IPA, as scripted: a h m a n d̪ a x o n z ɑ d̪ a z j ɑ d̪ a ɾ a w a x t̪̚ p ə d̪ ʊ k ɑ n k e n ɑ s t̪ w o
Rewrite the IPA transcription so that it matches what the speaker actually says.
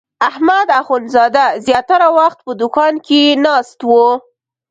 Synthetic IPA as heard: a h m a d̪ a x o n z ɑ d̪ a z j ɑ t̪ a ɾ a w a x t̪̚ p ə d̪ ʊ k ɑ n k e n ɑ s t̪ w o